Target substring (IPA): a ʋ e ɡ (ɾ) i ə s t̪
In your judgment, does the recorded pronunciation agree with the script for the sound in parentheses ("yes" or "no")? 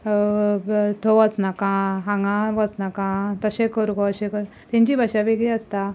no